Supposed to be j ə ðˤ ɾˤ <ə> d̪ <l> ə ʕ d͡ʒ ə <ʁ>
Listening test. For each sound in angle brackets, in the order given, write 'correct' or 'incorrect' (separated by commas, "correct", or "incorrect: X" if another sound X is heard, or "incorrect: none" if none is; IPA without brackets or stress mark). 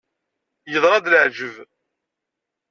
incorrect: ɑ, correct, incorrect: v